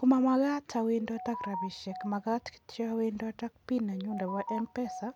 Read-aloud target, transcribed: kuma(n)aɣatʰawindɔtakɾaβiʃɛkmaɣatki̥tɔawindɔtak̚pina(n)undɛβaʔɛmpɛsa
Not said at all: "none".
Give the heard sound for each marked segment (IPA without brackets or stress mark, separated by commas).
m, ɲ